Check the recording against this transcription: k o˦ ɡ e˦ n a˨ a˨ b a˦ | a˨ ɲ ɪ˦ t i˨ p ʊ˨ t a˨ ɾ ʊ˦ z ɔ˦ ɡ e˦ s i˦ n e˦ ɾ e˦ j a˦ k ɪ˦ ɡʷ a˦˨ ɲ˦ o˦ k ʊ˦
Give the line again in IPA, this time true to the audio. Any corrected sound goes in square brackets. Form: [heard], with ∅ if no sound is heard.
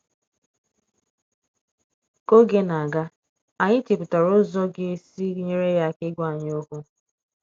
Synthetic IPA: k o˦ ɡ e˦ n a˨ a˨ [ɡ] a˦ | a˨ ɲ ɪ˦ t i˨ p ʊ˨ t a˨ ɾ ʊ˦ z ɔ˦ ɡ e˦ s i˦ [ɲ] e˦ ɾ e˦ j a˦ k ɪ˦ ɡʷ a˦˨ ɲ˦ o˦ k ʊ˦

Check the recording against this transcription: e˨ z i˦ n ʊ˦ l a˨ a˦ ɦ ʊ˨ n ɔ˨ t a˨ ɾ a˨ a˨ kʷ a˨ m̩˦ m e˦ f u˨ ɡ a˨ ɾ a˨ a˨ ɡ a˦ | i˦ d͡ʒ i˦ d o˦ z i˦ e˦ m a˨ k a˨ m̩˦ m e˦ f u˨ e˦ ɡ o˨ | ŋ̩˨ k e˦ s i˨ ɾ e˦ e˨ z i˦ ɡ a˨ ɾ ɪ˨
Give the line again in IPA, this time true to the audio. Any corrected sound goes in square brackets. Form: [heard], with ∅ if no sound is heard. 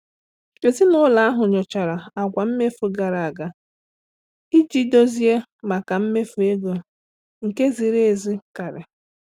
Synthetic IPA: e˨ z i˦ n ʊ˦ l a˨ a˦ ɦ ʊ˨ [ɲ] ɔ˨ [t͡ʃ] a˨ ɾ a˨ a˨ kʷ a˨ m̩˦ m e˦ f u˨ ɡ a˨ ɾ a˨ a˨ ɡ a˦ | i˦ d͡ʒ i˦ d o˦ z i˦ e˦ m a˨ k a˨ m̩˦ m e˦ f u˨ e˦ ɡ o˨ | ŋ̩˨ k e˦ [z] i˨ ɾ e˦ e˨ z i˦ [k] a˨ ɾ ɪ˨

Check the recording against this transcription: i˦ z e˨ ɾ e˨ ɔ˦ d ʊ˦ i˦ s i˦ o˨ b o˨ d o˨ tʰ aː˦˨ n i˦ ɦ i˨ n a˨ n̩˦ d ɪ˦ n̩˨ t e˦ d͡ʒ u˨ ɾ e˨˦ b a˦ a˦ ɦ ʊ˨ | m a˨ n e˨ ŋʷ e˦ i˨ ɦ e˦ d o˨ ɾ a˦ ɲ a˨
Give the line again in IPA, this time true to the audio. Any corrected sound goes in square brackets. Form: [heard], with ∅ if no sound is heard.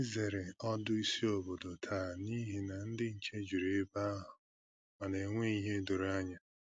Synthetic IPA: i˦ z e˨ ɾ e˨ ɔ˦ d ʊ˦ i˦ s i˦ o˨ b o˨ d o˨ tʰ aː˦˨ n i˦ ɦ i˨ n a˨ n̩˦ d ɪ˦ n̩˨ [t͡ʃ] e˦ d͡ʒ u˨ ɾ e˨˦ b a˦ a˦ ɦ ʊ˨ | m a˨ n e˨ ŋʷ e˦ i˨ ɦ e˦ d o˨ ɾ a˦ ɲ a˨

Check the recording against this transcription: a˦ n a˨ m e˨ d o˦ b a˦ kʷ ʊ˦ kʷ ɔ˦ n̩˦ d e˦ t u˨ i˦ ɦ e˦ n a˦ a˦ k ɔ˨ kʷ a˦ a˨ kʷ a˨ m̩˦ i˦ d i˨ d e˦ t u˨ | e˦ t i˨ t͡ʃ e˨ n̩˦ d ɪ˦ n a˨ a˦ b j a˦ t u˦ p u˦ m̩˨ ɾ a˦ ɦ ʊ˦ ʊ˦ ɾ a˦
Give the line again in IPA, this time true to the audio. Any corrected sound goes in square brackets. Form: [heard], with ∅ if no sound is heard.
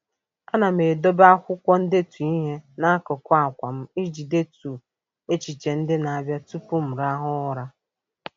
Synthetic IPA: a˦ n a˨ m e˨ d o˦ b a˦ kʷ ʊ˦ kʷ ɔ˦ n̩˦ d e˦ t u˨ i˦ ɦ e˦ n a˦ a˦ k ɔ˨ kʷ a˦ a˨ kʷ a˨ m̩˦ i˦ [d͡ʒ] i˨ d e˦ t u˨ | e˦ [t͡ʃ] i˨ t͡ʃ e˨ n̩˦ d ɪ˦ n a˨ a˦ b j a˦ t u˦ p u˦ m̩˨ ɾ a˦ ɦ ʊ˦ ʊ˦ ɾ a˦

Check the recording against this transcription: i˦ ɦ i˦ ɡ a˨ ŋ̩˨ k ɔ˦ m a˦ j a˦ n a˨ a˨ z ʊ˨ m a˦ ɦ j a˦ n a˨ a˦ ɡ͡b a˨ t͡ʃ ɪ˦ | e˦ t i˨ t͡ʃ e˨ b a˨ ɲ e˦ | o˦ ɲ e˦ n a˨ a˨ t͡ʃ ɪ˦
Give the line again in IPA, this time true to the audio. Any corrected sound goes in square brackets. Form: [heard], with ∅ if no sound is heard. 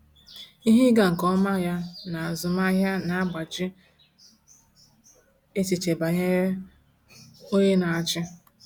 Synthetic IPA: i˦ ɦ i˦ ɡ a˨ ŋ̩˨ k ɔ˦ m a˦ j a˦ n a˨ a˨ z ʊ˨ m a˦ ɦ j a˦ n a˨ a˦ ɡ͡b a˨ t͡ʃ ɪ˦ | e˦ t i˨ t͡ʃ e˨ b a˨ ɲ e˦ | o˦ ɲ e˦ n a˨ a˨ t͡ʃ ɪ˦

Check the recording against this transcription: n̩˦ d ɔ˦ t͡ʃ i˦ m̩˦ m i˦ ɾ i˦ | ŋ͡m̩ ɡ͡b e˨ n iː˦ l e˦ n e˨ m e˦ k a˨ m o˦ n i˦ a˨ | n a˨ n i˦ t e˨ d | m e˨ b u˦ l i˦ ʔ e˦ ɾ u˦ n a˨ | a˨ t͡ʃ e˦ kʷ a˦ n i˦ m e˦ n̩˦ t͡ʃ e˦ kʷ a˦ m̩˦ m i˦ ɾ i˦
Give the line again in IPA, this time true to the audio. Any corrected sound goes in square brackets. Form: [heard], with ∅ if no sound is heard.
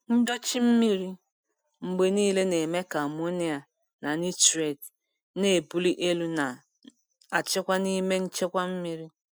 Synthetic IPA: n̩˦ d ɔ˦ t͡ʃ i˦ m̩˦ m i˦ ɾ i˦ | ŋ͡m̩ ɡ͡b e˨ n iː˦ l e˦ n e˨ m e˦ k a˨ m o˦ n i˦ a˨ | n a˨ n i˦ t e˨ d | [n] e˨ b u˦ l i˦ ʔ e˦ [l] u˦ n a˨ | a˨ t͡ʃ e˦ kʷ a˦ n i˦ m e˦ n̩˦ t͡ʃ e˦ kʷ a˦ m̩˦ m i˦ ɾ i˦

